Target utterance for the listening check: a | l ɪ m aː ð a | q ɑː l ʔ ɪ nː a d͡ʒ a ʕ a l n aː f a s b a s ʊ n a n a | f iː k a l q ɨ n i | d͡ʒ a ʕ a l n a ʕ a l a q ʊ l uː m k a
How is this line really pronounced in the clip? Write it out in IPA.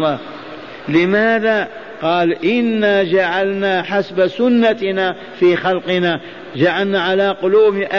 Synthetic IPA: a | l ɪ m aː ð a | q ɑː l ʔ ɪ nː a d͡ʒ a ʕ a l n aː ħ a s b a s ʊ nː a n a | f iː x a l q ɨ n a | d͡ʒ a ʕ a l n a ʕ a l a q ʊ l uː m ʔ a